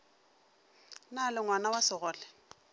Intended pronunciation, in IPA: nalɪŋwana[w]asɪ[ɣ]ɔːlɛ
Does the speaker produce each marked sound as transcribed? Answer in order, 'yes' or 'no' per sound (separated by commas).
yes, yes